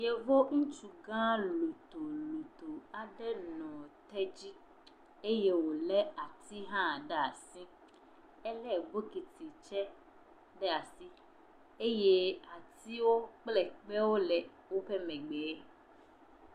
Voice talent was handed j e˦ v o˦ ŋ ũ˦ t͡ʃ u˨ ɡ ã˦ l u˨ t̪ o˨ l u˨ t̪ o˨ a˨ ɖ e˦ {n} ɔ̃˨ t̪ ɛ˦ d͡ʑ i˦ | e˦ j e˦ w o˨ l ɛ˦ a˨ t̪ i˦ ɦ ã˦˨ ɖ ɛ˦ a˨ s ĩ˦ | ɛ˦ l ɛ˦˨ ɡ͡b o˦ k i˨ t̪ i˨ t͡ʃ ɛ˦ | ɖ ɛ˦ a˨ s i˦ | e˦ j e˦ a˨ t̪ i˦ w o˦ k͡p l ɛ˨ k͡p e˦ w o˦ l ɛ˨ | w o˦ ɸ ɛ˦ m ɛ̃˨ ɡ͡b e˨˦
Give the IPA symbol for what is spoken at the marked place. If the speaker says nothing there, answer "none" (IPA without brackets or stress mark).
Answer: n